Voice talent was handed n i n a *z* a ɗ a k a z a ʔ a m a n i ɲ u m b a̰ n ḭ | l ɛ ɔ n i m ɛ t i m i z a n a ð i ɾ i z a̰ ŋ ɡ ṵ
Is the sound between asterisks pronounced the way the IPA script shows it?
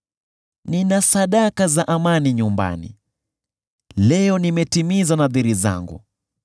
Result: no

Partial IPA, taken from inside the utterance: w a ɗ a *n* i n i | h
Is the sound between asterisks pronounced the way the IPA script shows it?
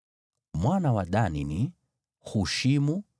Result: yes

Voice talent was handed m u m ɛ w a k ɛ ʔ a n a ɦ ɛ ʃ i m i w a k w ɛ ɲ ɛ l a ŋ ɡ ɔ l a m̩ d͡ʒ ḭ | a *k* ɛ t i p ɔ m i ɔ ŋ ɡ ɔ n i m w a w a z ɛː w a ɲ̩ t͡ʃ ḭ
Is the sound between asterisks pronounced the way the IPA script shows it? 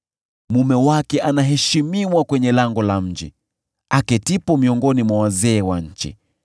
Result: yes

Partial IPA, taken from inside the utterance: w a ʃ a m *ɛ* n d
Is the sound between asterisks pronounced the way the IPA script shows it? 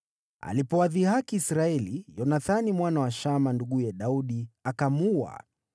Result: no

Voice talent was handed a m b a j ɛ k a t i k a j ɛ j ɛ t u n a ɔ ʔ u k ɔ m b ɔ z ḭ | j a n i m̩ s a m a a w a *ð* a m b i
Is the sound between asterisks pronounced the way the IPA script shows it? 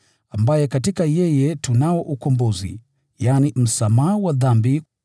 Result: yes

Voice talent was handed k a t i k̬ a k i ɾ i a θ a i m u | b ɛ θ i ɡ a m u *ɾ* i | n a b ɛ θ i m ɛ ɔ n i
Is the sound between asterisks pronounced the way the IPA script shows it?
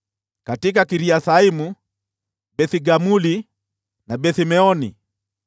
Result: no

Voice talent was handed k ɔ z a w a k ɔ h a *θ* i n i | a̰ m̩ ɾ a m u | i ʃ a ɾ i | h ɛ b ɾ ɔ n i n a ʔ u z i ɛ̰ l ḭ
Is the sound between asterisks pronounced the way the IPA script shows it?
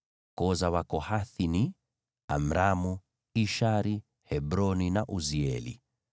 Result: yes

